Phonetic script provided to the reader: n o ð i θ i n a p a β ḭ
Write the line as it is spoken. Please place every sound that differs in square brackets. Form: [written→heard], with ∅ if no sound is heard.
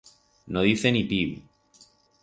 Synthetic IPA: n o ð i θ [i→e] n [a→i] p [a→i] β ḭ